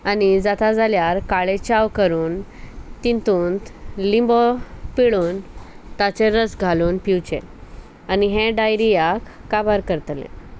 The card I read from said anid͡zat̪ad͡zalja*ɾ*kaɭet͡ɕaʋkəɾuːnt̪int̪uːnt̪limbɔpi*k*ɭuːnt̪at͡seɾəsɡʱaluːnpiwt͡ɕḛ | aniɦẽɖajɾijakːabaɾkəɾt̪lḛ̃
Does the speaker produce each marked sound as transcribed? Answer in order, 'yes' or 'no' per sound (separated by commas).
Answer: yes, no